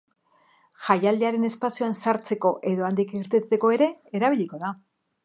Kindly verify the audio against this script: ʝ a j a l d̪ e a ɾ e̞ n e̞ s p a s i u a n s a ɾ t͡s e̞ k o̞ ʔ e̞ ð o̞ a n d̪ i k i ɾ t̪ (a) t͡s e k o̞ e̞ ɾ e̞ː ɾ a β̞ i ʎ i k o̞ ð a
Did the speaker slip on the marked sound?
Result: yes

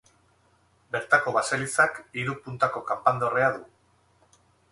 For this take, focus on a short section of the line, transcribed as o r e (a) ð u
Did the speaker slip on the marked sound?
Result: no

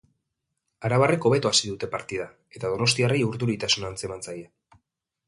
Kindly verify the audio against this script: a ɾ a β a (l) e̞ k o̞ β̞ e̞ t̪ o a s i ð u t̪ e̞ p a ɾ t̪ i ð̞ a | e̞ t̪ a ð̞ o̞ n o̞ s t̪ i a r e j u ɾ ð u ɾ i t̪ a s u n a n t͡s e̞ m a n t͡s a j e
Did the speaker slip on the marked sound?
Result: yes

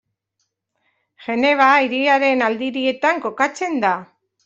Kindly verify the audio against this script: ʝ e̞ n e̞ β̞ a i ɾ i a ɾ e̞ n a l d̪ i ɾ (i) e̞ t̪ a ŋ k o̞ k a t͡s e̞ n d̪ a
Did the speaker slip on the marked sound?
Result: no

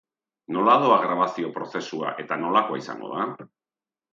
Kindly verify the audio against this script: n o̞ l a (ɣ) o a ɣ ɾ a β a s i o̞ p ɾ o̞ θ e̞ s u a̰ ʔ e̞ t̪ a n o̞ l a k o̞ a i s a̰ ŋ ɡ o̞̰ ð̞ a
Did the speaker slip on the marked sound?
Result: yes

